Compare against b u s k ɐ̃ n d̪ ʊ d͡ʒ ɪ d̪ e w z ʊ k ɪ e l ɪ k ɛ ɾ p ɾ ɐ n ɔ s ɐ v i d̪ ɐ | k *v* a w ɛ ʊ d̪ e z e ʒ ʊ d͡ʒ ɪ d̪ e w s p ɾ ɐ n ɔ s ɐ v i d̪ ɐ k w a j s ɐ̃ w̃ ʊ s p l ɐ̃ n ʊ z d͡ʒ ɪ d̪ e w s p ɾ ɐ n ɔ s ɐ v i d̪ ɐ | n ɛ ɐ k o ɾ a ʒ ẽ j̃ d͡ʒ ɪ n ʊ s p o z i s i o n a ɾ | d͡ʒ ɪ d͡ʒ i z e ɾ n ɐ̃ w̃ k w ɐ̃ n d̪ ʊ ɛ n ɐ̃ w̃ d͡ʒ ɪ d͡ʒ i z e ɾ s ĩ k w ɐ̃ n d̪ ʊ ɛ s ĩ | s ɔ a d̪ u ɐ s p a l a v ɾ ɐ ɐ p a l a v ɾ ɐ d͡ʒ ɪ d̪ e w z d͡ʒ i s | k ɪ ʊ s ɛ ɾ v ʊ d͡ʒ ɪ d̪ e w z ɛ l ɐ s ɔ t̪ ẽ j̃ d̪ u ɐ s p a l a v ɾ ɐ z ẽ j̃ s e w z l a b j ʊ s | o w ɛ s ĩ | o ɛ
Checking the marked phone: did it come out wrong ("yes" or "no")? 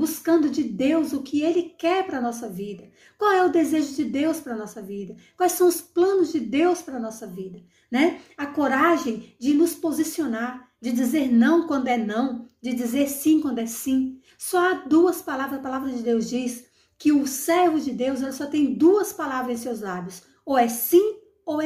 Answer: yes